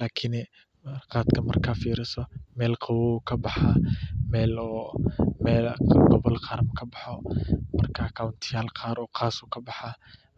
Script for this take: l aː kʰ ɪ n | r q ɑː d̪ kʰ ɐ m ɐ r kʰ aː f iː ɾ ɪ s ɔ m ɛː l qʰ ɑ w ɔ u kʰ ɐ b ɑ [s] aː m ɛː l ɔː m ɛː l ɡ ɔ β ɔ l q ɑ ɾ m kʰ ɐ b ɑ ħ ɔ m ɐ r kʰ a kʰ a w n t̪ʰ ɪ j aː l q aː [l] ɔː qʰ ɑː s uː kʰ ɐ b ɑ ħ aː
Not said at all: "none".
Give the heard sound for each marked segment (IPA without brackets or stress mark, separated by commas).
ħ, ɾ